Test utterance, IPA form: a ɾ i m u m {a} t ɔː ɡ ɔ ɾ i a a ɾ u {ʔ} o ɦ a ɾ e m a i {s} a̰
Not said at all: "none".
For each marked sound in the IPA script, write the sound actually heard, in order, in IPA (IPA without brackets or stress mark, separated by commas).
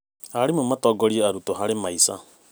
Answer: a, t, s